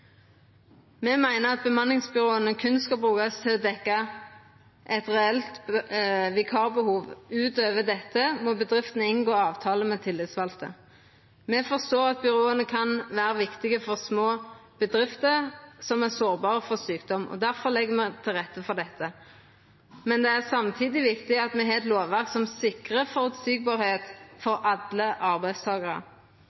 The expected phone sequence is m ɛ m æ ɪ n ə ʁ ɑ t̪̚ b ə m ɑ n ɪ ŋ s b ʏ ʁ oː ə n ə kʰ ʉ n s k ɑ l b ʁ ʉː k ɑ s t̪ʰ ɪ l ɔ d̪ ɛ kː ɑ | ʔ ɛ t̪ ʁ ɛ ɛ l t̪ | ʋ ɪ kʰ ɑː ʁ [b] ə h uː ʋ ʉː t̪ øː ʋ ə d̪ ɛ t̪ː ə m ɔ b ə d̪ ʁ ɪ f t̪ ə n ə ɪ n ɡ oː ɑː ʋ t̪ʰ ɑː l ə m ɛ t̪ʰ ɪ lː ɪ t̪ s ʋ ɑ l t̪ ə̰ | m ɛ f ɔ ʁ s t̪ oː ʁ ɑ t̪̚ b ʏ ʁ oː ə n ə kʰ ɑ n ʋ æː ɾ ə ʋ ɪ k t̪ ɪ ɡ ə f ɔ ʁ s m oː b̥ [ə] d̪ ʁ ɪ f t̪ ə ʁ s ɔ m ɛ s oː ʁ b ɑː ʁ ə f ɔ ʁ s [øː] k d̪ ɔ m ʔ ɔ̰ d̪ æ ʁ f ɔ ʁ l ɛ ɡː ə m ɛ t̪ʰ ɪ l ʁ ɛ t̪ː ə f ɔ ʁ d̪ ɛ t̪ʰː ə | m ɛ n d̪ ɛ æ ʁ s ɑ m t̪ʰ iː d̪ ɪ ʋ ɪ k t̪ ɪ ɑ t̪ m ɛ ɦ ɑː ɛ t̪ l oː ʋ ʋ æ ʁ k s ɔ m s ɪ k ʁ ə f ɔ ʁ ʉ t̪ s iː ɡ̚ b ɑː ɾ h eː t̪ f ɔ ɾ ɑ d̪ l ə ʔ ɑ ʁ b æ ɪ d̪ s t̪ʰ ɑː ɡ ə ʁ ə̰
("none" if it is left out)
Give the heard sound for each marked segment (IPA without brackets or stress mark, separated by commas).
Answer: b, ə, yː